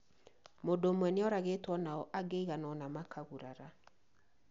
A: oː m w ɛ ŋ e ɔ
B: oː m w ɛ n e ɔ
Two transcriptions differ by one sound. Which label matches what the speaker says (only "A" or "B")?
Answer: B